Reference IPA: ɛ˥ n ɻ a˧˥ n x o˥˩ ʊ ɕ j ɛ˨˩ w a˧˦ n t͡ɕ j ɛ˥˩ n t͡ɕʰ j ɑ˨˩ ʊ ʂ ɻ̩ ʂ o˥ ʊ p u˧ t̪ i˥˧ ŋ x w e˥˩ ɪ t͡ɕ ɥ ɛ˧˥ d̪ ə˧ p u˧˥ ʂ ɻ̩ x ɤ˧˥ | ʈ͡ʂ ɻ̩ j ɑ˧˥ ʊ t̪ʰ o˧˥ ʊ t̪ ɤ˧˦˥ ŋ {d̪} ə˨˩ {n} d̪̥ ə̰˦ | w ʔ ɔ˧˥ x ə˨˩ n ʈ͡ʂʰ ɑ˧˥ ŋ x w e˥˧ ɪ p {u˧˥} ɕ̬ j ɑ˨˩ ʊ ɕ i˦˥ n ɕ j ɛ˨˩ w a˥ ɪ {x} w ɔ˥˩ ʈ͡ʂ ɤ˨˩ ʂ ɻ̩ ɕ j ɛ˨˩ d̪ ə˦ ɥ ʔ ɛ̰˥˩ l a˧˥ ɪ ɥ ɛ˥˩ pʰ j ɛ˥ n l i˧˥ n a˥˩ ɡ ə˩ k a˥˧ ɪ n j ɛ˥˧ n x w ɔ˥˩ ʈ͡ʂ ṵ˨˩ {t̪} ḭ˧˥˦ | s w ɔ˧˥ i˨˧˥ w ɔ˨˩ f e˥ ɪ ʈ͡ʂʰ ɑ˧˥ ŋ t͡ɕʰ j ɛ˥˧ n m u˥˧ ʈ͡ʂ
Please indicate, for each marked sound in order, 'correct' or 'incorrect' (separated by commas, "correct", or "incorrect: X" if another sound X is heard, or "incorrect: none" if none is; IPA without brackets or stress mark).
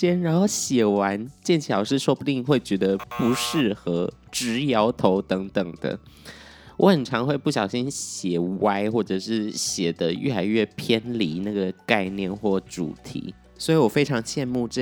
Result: incorrect: t̪, incorrect: ŋ, incorrect: u˥˩, correct, incorrect: t̪ʰ